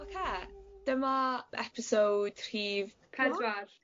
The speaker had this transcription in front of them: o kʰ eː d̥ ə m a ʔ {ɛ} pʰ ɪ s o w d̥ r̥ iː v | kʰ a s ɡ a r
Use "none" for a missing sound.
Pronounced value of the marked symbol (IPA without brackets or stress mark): ɛ